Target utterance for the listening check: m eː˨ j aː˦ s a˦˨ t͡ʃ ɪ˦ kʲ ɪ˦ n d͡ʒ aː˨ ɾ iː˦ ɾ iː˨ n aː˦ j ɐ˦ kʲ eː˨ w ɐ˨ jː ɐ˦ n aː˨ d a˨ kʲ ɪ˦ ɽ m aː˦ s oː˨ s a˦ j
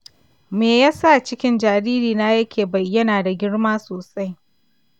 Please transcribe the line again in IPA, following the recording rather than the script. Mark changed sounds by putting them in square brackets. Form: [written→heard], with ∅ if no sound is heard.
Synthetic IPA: m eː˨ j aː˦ s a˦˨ t͡ʃ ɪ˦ kʲ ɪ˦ n d͡ʒ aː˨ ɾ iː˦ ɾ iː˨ n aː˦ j ɐ˦ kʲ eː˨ [w→b] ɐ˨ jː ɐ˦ n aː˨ d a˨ [kʲ→ɡʲ] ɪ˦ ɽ m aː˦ s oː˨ s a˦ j